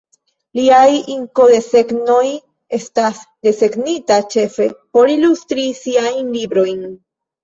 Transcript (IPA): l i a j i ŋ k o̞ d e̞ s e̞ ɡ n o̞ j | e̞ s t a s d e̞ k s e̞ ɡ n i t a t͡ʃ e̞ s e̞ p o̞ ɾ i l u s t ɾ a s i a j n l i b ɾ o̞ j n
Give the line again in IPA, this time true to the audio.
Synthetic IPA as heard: l i a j i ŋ k o̞ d e̞ s e̞ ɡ n o̞ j | e̞ s t a s d e̞ s e̞ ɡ n i t a t͡ʃ e̞ f e̞ p o̞ ɾ i l u s t ɾ i s i a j n l i b ɾ o̞ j n